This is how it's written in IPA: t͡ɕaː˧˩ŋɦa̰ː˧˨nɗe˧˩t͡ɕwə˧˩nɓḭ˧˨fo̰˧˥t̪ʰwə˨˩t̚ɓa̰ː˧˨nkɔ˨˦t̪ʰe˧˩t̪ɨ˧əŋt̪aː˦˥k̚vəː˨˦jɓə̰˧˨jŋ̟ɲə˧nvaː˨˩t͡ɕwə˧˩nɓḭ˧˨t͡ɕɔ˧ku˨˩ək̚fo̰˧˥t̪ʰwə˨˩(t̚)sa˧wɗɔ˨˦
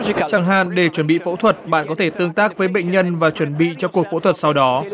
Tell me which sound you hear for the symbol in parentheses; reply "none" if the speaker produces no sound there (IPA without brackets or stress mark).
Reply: t̚